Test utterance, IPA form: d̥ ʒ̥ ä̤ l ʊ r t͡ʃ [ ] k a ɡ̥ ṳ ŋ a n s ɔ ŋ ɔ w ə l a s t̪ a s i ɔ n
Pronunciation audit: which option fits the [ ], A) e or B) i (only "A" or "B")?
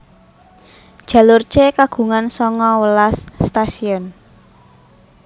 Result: A